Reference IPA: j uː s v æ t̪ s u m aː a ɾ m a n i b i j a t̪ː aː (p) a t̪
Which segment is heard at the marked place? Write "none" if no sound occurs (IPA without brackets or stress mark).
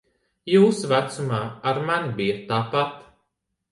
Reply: p